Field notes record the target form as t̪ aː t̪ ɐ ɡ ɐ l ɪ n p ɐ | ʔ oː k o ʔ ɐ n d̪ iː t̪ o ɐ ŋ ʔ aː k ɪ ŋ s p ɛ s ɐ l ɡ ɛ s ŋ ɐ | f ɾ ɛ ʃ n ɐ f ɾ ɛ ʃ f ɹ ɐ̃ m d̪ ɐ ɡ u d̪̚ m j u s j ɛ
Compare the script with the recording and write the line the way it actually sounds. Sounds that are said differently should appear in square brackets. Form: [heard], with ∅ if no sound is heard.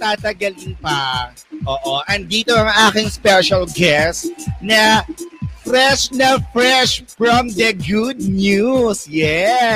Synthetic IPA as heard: t̪ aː t̪ ɐ ɡ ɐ l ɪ n p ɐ | ʔ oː [ʔ] o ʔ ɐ n d̪ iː t̪ o ɐ ŋ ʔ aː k ɪ ŋ s p ɛ [ʃ] ɐ l ɡ ɛ s [n] ɐ | f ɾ ɛ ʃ n ɐ f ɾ ɛ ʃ f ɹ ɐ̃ m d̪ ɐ ɡ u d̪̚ [n] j u s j ɛ